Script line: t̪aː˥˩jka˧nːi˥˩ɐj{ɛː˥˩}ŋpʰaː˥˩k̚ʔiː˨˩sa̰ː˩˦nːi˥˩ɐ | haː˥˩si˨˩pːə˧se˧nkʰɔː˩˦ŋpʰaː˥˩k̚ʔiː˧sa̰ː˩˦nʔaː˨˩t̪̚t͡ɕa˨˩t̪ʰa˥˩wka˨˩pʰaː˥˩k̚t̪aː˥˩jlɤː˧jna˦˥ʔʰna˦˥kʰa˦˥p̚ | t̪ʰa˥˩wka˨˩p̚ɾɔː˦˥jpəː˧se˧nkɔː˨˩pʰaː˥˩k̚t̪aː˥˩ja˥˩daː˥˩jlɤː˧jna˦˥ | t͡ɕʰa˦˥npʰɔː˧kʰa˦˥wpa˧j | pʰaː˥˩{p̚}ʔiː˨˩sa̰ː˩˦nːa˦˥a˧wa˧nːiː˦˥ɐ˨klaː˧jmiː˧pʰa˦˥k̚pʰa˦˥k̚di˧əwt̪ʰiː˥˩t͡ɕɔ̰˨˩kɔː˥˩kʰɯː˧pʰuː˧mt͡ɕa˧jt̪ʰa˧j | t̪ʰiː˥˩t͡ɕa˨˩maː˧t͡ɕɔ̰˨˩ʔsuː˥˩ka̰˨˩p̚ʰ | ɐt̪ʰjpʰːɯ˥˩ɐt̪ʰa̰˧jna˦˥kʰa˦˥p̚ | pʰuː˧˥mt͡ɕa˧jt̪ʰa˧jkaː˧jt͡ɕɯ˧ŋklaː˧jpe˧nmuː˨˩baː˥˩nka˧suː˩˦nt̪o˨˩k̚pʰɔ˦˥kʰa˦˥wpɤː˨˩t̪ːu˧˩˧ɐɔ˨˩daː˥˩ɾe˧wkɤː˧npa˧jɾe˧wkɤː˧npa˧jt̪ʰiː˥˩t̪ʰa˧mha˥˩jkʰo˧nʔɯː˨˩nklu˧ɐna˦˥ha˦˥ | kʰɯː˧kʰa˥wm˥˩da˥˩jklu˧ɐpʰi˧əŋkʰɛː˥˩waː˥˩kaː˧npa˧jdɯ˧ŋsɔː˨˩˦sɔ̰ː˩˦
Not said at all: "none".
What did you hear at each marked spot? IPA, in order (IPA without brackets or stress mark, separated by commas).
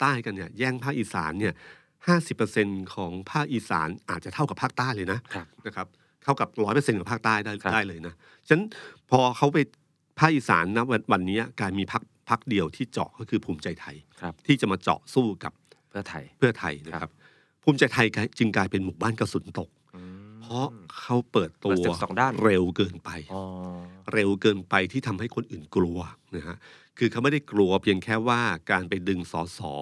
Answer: ɛː˥˩, k̚